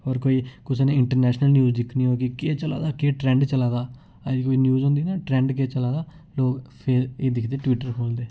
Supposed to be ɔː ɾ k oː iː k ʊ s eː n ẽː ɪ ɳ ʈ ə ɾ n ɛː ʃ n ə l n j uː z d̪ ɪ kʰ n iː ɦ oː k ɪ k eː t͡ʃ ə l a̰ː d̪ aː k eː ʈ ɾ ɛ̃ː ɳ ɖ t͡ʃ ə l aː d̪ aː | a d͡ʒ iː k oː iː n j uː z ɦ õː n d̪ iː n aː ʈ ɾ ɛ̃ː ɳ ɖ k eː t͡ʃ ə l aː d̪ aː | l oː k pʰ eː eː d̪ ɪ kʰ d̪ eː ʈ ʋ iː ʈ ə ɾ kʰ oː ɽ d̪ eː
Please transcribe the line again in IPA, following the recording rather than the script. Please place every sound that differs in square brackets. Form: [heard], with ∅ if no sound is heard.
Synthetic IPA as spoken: ɔː ɾ k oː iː k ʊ s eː n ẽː ɪ ɳ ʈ ə ɾ n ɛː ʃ n ə l n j uː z d̪ ɪ kʰ n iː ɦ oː k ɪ k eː t͡ʃ ə l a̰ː d̪ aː k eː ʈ ɾ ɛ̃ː ɳ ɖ t͡ʃ ə l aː d̪ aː | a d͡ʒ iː k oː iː n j uː z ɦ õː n d̪ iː n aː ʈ ɾ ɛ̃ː ɳ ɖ k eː t͡ʃ ə l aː d̪ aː | l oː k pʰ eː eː d̪ ɪ kʰ d̪ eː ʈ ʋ iː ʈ ə ɾ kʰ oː [l] d̪ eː